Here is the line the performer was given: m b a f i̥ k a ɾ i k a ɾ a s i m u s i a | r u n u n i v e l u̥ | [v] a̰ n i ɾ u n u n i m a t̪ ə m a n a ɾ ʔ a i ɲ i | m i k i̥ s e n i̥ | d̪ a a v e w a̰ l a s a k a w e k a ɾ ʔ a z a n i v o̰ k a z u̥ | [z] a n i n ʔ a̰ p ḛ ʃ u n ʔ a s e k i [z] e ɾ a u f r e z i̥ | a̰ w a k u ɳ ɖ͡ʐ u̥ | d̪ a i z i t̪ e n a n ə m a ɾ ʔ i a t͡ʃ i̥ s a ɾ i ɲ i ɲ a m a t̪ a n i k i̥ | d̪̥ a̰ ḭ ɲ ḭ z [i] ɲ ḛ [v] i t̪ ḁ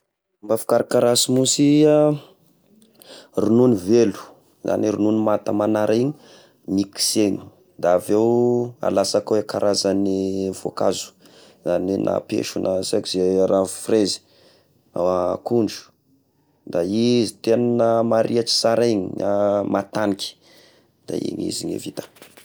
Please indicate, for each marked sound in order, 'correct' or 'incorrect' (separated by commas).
incorrect, correct, correct, correct, correct